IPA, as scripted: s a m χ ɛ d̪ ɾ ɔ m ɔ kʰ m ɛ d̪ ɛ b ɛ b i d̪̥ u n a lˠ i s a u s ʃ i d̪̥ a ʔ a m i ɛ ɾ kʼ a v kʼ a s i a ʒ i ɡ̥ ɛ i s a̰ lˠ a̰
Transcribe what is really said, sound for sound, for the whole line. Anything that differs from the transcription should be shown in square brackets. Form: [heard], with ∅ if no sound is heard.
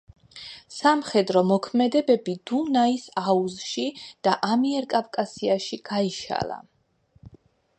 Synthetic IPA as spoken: s a m χ ɛ d̪ ɾ ɔ m ɔ kʰ m ɛ d̪ ɛ b ɛ b i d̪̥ u n a [∅] i s a u [z] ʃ i d̪̥ a ʔ a m i ɛ ɾ kʼ a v kʼ a s i a [ʃ] i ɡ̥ [a] i [ʃ] a̰ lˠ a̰